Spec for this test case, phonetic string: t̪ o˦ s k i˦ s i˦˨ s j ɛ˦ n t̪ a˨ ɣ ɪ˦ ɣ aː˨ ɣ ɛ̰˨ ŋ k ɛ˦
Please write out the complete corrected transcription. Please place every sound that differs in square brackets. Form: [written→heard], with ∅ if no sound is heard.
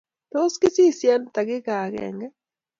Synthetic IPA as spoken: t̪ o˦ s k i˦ s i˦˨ s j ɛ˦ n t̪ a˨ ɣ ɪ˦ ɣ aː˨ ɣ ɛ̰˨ ŋ [k→ɡ] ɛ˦